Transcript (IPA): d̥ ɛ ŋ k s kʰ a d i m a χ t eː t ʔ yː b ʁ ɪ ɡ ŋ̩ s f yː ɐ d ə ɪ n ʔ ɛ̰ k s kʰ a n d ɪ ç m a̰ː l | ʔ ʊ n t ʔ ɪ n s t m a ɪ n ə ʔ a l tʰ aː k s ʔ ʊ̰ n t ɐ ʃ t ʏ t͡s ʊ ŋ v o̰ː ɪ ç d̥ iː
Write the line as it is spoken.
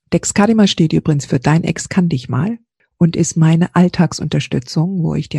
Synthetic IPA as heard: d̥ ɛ k s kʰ a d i m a ʃ t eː t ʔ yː b ʁ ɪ ɡ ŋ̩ s f yː ɐ d a ɪ n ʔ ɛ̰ k s kʰ a n d ɪ ç m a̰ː l | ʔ ʊ n t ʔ ɪ s t m a ɪ n ə ʔ a l tʰ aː k s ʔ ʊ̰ n t ɐ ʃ t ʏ t͡s ʊ ŋ v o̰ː ɪ ç d̥ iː